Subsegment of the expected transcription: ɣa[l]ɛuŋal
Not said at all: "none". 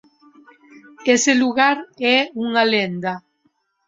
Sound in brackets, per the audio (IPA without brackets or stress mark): ɾ